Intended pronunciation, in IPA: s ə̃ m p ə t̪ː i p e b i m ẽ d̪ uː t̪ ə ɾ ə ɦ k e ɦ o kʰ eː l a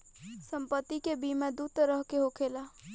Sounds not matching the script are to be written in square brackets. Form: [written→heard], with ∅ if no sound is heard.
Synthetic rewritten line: s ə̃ m p ə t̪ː i [p→k] e b i m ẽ d̪ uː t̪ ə ɾ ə ɦ k e ɦ o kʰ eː l a